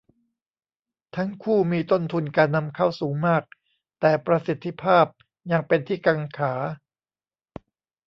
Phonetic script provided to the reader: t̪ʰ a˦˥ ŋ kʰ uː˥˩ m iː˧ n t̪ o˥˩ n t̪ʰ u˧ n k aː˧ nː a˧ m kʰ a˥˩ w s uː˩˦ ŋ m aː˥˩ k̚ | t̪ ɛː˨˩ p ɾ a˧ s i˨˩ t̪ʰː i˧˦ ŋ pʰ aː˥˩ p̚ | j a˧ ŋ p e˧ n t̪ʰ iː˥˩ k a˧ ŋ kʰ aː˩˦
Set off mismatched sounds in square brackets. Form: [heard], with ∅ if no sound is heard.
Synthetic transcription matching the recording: t̪ʰ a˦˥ ŋ kʰ uː˥˩ m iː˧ [∅] t̪ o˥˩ n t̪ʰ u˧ n k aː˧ nː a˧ m kʰ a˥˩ w s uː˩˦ ŋ m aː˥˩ k̚ | t̪ ɛː˨˩ p ɾ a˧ s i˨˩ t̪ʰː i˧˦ [∅] pʰ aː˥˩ p̚ | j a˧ ŋ p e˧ n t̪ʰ iː˥˩ k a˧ ŋ kʰ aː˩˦